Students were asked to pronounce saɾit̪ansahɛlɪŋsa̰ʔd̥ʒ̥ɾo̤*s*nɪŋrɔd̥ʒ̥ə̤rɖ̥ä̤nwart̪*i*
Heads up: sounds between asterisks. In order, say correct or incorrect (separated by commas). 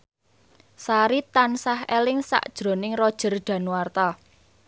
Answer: incorrect, incorrect